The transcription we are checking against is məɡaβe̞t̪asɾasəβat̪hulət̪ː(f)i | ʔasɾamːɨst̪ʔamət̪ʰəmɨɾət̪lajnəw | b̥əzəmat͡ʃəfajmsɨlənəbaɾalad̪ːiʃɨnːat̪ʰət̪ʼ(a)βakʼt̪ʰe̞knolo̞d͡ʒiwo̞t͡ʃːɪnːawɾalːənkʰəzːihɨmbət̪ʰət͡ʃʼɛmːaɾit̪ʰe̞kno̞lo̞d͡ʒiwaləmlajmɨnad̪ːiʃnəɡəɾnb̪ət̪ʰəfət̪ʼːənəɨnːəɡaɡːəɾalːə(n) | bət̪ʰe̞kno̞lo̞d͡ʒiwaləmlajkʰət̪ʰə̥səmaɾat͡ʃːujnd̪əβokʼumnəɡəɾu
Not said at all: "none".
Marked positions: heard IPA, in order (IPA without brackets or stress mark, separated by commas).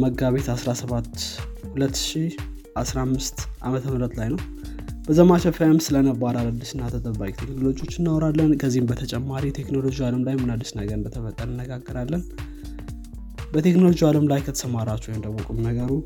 ʃ, ə, n